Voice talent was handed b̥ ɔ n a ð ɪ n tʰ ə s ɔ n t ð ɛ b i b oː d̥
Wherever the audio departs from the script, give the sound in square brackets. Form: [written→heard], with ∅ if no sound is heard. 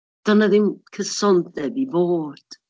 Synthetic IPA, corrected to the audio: [b̥→d̥] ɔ n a ð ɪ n [tʰ→kʰ] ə s ɔ n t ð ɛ b i b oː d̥